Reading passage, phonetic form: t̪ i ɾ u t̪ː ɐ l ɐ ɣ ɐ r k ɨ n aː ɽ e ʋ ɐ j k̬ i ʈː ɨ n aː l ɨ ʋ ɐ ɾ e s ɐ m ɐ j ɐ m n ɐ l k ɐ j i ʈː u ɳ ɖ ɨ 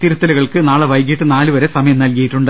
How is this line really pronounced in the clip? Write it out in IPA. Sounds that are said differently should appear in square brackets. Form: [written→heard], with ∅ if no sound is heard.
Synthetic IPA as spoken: t̪ i ɾ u t̪ː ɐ l ɐ ɣ ɐ [r→ɭ] k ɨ n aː [ɽ→ɭ] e ʋ ɐ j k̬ i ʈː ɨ n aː l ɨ ʋ ɐ ɾ e s ɐ m ɐ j ɐ m n ɐ l k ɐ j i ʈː u ɳ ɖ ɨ